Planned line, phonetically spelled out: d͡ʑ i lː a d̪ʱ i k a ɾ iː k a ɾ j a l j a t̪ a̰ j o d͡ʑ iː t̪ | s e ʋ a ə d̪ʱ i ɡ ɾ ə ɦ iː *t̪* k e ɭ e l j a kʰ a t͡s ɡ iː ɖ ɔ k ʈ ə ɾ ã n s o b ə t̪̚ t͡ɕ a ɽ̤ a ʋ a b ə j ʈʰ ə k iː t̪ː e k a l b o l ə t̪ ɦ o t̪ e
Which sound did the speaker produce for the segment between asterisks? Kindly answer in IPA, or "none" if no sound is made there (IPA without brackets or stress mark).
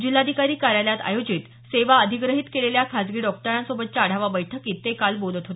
t̪